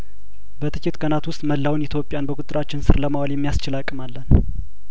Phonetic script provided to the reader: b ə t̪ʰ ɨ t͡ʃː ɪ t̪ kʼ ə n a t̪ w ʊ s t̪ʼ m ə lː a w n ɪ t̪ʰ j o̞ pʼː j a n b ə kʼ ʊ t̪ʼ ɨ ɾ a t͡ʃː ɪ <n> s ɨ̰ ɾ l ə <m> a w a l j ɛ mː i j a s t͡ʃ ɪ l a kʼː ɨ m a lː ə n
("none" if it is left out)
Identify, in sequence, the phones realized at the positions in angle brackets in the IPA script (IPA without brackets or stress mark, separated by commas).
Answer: n, m